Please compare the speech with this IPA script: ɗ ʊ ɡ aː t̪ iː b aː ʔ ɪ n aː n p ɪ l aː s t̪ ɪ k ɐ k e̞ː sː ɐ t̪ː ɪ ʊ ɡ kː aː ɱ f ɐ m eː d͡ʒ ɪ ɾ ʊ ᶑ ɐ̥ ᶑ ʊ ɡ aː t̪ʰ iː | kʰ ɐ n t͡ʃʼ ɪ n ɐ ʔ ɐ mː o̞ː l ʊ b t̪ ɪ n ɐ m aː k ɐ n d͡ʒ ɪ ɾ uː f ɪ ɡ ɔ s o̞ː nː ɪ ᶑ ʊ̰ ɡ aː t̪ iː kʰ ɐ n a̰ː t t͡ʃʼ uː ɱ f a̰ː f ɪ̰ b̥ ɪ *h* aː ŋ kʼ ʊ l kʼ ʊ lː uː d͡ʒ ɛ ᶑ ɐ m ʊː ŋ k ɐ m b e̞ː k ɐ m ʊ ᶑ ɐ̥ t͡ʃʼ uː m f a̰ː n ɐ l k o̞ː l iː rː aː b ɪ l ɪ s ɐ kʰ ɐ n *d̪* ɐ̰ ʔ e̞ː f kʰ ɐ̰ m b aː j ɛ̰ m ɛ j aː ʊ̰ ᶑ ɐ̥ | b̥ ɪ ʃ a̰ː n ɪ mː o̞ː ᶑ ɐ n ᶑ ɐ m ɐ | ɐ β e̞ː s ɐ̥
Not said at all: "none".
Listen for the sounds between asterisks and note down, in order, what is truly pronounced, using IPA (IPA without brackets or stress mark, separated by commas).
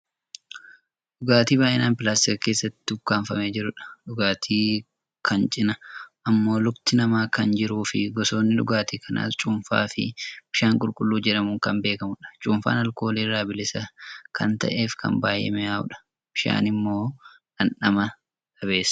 ʃ, t̪